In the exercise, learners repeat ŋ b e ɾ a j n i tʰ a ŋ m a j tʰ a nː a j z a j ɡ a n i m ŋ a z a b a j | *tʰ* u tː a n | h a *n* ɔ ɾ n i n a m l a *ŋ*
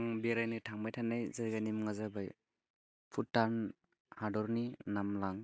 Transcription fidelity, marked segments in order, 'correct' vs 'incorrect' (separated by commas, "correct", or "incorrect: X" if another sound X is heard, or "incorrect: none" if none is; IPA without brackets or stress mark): incorrect: pʰ, incorrect: d, correct